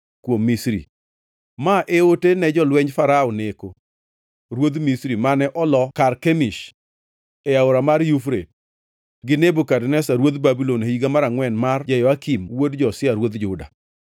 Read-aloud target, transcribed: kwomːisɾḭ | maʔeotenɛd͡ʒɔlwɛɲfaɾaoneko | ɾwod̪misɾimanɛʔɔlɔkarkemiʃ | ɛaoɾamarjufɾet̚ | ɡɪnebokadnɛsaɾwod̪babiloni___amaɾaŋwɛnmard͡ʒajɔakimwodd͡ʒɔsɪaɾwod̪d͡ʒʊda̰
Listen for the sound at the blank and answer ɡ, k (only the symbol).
ɡ